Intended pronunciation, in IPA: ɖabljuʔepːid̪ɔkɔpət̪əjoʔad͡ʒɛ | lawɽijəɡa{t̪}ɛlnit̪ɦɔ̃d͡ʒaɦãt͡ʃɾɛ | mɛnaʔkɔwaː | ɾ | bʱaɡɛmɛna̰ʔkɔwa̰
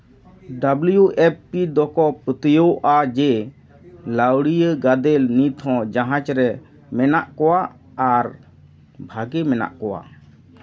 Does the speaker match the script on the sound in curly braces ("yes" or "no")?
no